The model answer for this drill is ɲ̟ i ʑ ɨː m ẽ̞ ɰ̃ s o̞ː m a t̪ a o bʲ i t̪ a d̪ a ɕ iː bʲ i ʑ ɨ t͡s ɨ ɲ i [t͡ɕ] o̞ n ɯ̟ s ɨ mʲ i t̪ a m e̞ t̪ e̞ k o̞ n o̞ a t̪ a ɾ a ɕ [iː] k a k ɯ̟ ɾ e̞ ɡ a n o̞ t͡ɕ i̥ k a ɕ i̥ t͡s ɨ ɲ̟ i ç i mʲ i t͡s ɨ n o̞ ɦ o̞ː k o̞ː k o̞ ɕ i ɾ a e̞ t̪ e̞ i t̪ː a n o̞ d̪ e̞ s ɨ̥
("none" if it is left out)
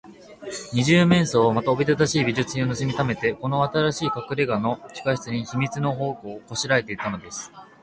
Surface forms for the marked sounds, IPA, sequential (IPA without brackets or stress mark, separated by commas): none, iː